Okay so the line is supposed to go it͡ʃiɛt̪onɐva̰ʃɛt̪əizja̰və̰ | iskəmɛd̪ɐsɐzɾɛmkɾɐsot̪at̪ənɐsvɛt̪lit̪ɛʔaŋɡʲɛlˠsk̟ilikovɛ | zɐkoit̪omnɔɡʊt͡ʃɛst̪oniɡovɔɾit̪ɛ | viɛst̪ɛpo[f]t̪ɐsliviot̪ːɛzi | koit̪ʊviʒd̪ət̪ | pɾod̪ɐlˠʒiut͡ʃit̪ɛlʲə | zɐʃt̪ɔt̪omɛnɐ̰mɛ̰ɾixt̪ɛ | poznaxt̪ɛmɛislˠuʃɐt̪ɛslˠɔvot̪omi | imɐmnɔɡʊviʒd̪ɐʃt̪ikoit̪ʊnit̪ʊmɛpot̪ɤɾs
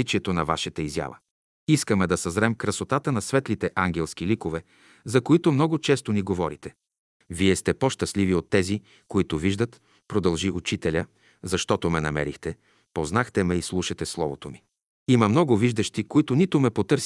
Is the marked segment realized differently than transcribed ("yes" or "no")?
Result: yes